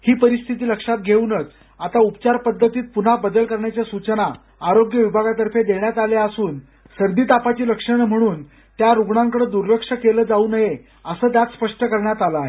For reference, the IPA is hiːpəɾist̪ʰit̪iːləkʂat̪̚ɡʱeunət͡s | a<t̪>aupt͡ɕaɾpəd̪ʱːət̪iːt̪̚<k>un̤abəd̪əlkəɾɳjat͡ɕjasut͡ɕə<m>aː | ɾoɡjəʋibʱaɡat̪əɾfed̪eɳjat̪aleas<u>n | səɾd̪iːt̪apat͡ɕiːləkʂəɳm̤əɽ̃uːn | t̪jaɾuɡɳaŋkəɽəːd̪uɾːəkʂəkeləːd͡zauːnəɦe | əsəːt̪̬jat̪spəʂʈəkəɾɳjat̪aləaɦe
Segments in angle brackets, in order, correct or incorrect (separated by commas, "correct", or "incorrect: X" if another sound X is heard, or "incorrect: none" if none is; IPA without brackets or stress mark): correct, incorrect: p, incorrect: n, incorrect: uː